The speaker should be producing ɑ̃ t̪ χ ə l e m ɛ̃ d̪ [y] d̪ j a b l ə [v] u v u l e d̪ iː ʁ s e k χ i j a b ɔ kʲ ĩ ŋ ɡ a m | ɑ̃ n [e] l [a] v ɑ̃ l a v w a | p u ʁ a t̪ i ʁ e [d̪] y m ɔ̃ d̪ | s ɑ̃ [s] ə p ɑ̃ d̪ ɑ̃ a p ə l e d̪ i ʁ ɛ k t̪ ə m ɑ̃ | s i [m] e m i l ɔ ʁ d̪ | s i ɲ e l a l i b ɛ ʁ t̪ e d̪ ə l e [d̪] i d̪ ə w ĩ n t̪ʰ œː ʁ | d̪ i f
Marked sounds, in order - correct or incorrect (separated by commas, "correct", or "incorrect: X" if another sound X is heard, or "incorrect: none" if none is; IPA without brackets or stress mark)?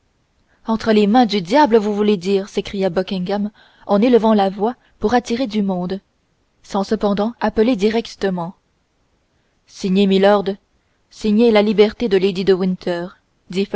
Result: correct, correct, correct, incorrect: ə, correct, correct, incorrect: ɲ, correct